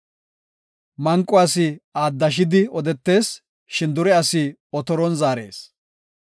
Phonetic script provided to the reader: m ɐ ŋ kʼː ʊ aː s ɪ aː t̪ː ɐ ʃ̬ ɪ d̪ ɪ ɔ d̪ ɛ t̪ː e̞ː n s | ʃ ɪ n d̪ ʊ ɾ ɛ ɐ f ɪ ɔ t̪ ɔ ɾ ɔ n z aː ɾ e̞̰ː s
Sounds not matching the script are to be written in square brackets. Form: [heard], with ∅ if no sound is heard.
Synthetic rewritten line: m ɐ ŋ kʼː ʊ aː s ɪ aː [d̪ː] ɐ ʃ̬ ɪ d̪ ɪ ɔ d̪ ɛ t̪ː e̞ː [∅] s | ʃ ɪ n d̪ ʊ ɾ ɛ ɐ [s] ɪ ɔ t̪ ɔ ɾ ɔ n z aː ɾ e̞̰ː s